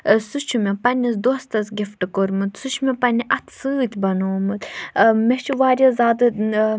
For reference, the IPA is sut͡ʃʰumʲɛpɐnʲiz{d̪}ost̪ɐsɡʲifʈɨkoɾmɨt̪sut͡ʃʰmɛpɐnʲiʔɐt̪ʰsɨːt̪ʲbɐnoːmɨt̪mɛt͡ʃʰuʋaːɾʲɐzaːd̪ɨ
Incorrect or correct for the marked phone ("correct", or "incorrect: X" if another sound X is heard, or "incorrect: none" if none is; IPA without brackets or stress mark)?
correct